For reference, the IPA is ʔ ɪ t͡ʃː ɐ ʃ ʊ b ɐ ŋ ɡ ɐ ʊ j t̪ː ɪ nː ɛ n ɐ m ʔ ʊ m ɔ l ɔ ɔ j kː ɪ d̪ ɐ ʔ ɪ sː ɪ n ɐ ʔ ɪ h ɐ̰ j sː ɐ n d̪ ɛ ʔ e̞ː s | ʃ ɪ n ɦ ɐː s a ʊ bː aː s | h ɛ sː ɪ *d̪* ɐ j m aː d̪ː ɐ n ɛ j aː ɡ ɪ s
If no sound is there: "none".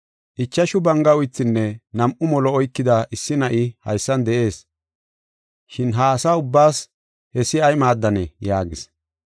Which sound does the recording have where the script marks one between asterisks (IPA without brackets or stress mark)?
none